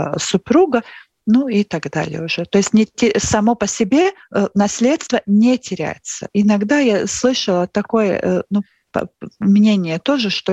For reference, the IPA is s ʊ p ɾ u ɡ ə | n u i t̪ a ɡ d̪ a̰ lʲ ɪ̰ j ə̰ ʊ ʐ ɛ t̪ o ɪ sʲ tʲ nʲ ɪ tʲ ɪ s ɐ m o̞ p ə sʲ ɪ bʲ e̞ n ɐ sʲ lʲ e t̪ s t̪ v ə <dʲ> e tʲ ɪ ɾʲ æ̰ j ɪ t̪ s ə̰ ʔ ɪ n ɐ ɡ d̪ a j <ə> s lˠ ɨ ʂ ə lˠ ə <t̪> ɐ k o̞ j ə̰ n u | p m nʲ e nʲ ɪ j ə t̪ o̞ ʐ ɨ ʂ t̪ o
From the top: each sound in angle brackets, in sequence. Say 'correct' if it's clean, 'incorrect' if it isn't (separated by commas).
incorrect, incorrect, correct